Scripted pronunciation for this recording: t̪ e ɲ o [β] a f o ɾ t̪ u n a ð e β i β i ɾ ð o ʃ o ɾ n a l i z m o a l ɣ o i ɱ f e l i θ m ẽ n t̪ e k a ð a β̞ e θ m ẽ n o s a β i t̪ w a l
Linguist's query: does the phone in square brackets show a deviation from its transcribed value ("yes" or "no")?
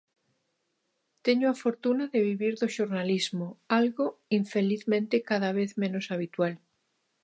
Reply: yes